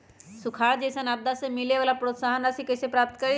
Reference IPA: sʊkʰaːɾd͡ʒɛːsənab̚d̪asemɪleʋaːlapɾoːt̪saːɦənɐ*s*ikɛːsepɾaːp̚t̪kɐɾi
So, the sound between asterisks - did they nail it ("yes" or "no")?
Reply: yes